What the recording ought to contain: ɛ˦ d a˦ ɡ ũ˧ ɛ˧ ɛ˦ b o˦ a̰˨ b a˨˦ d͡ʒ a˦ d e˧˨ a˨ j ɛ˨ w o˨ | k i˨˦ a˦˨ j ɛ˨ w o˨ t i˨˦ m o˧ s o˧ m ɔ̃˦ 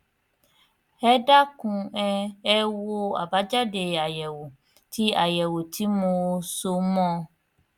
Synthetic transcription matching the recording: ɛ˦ d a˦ k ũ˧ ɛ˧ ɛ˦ w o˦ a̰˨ b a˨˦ d͡ʒ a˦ d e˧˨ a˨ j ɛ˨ w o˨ | t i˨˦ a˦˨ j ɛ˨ w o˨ t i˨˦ m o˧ s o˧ m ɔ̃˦